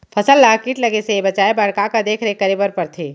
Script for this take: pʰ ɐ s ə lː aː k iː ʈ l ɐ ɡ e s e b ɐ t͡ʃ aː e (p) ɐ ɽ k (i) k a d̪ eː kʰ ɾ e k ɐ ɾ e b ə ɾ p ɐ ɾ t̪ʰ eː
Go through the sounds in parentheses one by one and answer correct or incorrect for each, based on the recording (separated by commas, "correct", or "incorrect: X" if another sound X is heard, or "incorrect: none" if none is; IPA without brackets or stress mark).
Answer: incorrect: b, incorrect: a